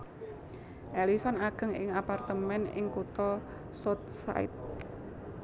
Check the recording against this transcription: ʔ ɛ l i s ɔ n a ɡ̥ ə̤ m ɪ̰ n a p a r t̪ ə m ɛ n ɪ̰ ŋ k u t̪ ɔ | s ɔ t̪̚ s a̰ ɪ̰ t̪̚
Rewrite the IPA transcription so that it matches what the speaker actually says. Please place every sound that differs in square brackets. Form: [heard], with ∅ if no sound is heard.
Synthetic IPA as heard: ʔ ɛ l i s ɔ n a ɡ̥ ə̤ [ŋ] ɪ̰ [ŋ] a p a r t̪ ə m ɛ n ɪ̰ ŋ k u t̪ ɔ | s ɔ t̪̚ s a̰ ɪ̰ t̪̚